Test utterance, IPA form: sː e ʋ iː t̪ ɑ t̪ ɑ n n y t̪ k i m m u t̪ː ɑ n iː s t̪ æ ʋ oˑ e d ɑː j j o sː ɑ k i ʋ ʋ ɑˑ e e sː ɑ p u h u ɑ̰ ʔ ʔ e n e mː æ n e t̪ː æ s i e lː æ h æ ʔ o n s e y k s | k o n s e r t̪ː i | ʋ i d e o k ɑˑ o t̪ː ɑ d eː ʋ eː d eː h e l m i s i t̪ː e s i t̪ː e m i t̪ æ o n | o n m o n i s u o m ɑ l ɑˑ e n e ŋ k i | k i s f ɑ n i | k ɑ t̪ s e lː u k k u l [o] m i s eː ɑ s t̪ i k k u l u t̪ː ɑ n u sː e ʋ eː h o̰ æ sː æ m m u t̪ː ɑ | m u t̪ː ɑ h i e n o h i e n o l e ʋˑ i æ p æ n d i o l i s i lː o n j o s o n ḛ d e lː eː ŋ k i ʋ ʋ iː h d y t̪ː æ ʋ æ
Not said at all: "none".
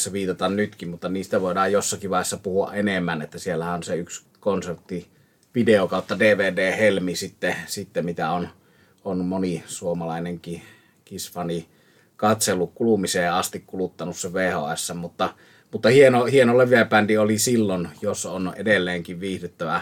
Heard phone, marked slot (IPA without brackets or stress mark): u